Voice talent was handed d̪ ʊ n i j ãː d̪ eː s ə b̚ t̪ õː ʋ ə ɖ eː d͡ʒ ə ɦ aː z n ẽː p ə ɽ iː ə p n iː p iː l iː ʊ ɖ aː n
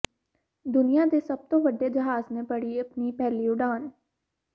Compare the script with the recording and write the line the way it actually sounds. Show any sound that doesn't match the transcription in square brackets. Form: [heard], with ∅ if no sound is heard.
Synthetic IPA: d̪ ʊ n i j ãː d̪ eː s ə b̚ t̪ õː ʋ ə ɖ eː d͡ʒ ə ɦ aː z n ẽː p ə ɽ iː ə p n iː p [ɛː] l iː ʊ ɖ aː n